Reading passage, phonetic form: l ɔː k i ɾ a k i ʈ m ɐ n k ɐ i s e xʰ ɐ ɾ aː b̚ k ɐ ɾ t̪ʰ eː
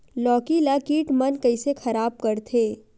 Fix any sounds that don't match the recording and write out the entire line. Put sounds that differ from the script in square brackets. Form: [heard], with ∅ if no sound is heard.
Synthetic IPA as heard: l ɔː k i [l] a k [iː] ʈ m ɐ n k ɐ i s e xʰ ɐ ɾ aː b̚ k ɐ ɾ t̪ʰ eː